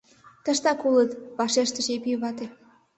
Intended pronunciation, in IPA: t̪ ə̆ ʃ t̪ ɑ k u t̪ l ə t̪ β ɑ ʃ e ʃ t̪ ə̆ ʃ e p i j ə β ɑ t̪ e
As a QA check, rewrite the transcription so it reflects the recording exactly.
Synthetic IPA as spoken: t̪ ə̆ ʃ t̪ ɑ k u l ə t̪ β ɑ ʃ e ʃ t̪ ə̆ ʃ e p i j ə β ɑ t̪ e